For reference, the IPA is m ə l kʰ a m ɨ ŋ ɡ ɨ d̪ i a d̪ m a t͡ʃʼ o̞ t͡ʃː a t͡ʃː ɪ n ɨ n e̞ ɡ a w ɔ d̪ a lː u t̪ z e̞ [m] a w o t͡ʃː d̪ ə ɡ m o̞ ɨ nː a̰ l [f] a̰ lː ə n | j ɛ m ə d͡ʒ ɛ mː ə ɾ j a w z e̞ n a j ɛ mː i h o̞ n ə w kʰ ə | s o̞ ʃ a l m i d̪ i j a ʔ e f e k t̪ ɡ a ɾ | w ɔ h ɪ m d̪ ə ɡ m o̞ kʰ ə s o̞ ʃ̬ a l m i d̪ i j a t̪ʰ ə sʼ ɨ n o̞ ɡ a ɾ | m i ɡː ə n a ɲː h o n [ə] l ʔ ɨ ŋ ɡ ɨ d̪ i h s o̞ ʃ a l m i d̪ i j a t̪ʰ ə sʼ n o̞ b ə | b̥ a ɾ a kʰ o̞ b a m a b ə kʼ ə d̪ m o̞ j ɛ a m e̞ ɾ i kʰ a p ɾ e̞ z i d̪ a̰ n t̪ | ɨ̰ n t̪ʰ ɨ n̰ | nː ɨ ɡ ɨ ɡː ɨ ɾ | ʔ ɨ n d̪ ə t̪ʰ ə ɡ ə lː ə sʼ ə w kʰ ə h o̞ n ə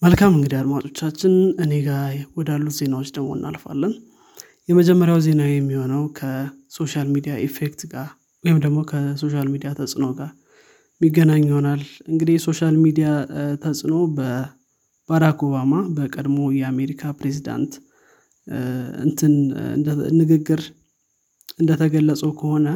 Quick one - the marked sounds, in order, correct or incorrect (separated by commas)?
incorrect, correct, incorrect